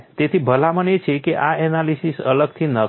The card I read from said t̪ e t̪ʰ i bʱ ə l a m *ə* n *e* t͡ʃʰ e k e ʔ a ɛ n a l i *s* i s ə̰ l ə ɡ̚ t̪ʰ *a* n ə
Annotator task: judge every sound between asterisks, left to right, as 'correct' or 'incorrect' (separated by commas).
correct, correct, correct, incorrect